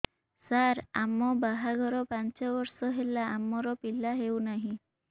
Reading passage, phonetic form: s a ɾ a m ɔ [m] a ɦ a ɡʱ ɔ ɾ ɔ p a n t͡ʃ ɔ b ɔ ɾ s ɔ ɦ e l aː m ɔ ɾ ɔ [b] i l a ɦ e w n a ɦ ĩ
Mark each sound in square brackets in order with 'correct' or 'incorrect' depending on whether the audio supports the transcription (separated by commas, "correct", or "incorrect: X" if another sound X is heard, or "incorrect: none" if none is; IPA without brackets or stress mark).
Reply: incorrect: b, incorrect: p